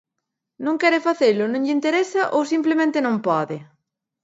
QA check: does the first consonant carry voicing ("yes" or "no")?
yes